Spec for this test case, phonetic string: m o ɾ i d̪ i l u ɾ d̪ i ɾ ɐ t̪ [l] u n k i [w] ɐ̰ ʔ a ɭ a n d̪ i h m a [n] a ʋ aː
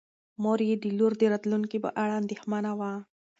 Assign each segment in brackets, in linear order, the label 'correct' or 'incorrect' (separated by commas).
correct, incorrect, correct